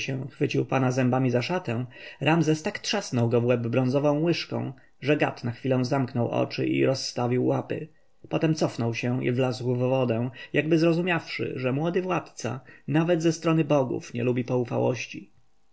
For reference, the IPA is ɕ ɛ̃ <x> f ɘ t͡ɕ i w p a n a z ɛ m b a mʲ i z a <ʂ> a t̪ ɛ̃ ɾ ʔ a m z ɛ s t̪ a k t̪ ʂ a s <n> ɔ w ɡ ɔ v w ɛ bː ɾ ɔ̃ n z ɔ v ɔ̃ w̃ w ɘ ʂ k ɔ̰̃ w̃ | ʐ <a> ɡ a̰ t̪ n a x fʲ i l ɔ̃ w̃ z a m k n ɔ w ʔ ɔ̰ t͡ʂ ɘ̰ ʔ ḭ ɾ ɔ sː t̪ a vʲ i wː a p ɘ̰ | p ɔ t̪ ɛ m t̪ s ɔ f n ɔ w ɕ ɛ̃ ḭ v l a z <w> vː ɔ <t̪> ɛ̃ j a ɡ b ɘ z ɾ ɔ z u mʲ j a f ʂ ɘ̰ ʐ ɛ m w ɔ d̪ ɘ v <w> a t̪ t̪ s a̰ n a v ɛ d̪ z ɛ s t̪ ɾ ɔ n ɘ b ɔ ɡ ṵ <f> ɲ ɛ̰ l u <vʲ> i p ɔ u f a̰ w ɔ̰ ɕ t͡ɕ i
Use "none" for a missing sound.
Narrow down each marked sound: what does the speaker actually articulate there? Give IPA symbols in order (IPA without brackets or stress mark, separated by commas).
x, ʂ, n, ɛ, w, d̪, w, f, bʲ